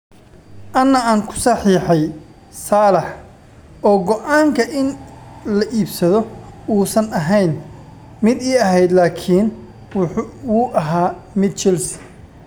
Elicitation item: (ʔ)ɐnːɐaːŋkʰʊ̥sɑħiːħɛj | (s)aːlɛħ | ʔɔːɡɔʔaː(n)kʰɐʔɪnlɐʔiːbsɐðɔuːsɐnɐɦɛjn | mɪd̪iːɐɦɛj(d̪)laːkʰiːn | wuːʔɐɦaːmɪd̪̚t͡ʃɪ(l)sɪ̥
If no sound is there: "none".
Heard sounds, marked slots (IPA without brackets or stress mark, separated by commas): ʔ, s, ŋ, d̪, l